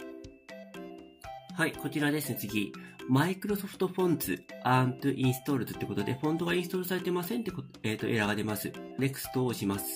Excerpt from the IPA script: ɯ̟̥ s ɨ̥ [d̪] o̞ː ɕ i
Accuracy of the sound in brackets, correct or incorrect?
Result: incorrect: t̪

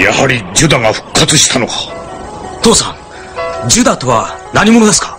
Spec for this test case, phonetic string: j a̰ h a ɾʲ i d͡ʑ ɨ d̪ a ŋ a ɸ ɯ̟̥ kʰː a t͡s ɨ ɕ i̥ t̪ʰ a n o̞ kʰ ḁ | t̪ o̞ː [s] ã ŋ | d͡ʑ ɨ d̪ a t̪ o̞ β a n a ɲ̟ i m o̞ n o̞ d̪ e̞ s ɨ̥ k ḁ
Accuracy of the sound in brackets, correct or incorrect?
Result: correct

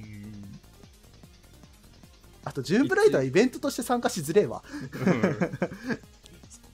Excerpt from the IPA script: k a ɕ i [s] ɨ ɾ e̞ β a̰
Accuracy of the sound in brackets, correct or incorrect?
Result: incorrect: z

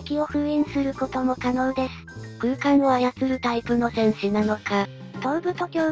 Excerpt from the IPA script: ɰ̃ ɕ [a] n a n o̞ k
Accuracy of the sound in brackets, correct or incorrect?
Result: incorrect: i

